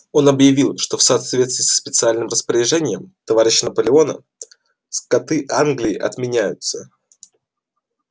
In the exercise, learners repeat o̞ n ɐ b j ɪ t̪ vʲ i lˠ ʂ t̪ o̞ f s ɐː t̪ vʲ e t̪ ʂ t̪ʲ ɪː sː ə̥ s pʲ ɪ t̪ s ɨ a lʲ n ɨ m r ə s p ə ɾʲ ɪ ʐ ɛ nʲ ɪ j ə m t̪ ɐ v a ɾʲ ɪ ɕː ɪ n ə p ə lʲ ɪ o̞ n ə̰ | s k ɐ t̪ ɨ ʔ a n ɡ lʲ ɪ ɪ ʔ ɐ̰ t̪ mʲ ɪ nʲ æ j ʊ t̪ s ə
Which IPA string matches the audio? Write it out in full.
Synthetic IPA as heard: o̞ n ɐ b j ɪ vʲ i lˠ ʂ t̪ o̞ f s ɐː t̪ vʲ e t̪ s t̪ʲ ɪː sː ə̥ s pʲ ɪ t̪ s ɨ a lʲ n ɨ m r ə s p ə ɾʲ ɪ ʐ ɛ nʲ ɪ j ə m t̪ ɐ v a ɾʲ ɪ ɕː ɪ n ə p ə lʲ ɪ o̞ n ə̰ | s k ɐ t̪ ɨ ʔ a n ɡ lʲ ɪ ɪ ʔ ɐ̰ t̪ mʲ ɪ nʲ æ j ʊ t̪ s ə